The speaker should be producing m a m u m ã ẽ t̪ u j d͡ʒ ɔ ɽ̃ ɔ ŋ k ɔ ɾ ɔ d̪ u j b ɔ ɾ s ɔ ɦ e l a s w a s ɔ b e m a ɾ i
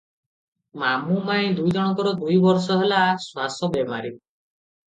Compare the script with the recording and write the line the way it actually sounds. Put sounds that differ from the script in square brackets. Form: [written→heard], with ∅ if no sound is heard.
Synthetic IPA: m a m u m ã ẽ [t̪→d̪] u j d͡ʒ ɔ ɽ̃ ɔ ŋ k ɔ ɾ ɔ d̪ u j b ɔ ɾ s ɔ ɦ e l a s w a s ɔ b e m a ɾ i